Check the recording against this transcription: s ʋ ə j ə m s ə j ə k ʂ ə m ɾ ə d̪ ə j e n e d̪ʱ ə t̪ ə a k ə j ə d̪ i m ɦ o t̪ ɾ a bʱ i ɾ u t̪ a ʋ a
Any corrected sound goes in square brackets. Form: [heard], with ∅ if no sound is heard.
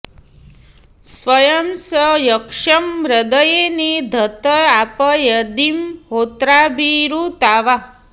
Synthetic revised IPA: s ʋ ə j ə m s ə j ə k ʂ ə m ɾ ə d̪ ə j e n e d̪ʱ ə t̪ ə a [p] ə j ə d̪ i m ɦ o t̪ ɾ a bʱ i ɾ u t̪ a ʋ a